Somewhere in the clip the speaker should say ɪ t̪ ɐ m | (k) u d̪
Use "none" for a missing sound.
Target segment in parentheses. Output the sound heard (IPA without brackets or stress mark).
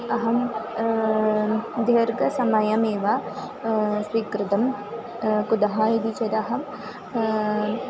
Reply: k